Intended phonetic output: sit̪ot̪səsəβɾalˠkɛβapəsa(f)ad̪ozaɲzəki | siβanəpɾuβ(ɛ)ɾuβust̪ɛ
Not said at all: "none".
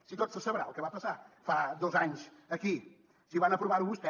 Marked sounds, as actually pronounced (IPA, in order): f, a

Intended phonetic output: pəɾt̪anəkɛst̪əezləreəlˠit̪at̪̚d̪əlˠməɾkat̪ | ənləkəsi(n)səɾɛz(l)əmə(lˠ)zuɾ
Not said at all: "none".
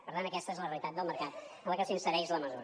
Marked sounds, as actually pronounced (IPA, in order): n, l, none

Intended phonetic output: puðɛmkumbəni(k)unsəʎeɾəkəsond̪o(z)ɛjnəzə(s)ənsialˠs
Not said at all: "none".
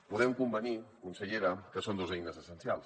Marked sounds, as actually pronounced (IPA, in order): k, z, s

